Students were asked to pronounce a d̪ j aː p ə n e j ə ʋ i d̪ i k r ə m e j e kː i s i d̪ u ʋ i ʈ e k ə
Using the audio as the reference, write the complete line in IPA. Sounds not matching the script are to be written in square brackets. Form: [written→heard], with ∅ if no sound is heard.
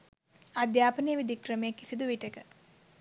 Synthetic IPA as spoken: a d̪ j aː p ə n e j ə ʋ i d̪ i k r ə m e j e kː i s i d̪ u ʋ i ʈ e k ə